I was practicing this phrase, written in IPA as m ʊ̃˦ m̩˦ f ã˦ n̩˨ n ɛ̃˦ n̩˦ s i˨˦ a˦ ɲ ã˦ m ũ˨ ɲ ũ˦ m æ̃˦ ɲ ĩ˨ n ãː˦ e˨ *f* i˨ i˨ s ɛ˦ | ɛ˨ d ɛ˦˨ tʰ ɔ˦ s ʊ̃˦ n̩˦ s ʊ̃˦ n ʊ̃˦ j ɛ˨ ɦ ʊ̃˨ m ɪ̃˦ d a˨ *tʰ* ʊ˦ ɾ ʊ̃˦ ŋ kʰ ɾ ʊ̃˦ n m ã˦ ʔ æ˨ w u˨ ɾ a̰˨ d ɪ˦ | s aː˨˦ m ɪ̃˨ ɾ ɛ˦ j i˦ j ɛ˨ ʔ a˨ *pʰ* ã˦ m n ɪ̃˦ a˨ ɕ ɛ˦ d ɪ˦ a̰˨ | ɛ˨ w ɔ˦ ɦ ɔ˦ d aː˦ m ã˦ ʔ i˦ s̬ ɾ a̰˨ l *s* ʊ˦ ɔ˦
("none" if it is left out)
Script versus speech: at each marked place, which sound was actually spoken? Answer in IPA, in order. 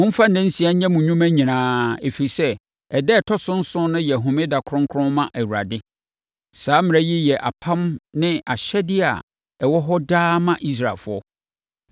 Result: f, kʰ, pʰ, f

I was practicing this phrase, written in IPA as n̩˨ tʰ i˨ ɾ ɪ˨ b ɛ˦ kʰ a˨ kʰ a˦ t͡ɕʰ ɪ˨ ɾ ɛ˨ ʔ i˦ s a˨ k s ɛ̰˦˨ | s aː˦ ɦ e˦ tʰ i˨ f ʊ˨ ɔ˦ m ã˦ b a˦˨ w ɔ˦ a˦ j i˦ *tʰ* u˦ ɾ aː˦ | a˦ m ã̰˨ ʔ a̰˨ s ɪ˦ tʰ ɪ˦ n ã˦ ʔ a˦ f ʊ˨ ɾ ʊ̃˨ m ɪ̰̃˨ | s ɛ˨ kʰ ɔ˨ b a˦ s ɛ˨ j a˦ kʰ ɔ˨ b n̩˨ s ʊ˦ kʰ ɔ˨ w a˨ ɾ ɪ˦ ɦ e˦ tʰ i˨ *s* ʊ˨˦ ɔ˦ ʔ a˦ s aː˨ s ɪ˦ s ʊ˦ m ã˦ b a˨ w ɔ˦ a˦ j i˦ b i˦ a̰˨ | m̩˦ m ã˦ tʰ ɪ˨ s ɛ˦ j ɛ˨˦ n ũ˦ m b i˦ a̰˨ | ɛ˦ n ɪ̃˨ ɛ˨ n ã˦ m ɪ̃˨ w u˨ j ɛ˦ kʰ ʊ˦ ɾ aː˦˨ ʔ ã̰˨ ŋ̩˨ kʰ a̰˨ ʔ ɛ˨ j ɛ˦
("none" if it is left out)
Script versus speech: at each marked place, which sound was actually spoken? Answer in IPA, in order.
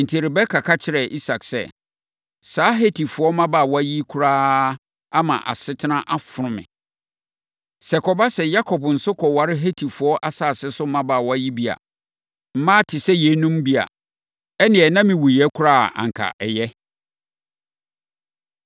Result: kʰ, f

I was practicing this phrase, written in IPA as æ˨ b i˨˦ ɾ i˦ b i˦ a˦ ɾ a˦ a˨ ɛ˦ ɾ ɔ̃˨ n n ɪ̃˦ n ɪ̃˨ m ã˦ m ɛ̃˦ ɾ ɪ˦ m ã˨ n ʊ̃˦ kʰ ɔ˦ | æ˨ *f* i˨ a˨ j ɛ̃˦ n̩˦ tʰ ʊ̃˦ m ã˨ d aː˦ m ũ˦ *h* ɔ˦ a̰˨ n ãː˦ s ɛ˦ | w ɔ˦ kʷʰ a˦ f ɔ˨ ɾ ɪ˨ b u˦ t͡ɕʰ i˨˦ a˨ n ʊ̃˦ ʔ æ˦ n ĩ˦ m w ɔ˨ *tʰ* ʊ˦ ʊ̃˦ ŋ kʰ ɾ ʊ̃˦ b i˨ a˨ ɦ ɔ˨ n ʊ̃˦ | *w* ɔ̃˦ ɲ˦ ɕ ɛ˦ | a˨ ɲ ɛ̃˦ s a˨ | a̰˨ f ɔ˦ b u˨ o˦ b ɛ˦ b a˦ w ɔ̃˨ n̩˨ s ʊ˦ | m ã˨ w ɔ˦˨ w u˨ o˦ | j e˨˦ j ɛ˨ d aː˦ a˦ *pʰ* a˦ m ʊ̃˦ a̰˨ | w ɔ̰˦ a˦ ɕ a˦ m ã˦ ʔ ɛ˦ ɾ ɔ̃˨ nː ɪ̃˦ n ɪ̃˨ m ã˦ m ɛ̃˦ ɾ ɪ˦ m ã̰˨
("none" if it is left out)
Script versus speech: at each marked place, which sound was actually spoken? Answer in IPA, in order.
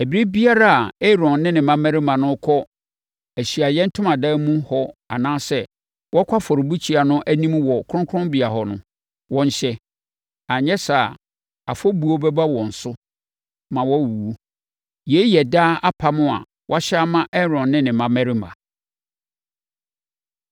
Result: ɕ, h, kʰ, w, pʰ

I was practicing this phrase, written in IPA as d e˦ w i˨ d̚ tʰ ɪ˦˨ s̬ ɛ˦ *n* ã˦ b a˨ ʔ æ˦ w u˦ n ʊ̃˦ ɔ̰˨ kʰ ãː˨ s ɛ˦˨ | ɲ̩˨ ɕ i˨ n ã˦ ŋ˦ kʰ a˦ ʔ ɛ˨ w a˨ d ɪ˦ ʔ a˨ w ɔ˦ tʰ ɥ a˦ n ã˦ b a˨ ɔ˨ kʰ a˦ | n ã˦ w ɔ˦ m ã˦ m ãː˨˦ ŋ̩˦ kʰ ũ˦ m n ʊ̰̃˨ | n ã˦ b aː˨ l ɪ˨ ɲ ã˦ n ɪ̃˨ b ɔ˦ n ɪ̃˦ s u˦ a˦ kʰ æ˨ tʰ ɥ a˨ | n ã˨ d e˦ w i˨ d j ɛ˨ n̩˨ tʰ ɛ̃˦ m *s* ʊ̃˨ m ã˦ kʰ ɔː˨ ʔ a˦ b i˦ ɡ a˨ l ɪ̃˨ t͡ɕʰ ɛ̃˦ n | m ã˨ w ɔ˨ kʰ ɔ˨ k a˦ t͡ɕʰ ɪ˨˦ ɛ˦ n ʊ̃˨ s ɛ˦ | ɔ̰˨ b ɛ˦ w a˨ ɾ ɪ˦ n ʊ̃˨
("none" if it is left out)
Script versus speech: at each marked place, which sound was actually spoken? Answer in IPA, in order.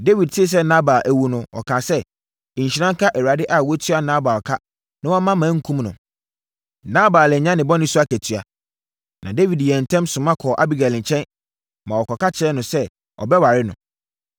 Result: n, s

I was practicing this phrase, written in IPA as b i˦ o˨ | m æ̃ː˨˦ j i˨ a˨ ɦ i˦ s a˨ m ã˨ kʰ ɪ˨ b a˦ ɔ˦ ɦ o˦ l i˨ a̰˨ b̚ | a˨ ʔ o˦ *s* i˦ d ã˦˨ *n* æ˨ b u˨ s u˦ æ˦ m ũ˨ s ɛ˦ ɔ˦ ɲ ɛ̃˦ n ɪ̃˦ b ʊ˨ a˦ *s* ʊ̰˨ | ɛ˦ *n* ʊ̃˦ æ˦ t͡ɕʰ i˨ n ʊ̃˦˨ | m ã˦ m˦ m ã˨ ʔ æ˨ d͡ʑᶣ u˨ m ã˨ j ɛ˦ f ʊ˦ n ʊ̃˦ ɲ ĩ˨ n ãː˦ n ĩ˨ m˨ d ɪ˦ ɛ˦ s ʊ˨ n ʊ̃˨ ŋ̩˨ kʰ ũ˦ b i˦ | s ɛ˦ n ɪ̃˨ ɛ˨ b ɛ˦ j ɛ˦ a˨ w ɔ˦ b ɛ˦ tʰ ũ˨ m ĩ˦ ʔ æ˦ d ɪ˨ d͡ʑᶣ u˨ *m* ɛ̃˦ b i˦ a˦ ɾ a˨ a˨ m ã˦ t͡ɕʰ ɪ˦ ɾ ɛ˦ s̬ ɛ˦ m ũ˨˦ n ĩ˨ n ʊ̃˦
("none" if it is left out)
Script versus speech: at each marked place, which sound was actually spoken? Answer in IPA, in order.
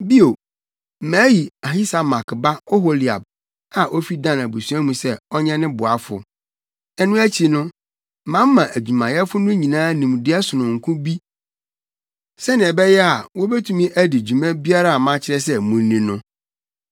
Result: f, n, f, n, m

